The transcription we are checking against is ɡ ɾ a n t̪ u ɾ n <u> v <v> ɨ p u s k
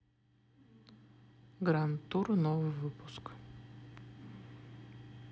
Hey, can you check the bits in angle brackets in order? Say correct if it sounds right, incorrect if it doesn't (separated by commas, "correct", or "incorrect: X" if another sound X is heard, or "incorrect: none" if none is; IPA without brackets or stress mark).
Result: incorrect: ɔ, correct